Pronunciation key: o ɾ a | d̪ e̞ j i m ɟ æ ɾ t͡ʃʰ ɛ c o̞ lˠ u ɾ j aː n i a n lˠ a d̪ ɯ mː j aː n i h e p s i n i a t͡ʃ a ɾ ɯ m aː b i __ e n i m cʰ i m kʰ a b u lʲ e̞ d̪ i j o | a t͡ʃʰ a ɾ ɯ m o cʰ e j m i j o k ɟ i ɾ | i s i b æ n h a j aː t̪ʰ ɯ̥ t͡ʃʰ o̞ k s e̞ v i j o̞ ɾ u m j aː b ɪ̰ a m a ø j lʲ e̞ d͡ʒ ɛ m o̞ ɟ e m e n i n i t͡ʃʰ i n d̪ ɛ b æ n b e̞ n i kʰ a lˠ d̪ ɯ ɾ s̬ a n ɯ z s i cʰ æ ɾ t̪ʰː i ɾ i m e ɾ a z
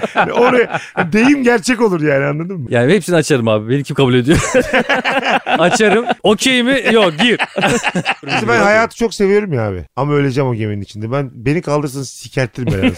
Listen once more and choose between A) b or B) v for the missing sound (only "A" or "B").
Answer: A